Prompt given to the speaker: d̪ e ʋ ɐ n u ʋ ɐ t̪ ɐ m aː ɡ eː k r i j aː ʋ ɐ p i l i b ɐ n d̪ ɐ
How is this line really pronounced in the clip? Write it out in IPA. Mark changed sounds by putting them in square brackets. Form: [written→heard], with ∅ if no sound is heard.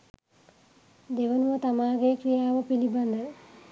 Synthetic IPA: d̪ e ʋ ɐ n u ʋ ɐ t̪ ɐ m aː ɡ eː k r i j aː ʋ ɐ p i l i b ɐ n d̪ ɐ